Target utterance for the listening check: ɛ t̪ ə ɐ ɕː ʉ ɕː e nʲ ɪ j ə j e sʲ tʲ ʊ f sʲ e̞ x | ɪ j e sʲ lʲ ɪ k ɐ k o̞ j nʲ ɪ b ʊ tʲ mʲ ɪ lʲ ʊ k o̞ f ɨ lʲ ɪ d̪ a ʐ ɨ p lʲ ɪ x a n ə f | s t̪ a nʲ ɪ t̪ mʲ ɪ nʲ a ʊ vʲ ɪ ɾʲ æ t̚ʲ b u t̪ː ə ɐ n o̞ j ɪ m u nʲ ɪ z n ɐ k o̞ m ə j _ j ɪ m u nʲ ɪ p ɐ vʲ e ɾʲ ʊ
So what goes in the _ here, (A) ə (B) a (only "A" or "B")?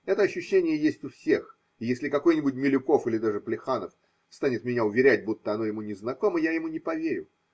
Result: B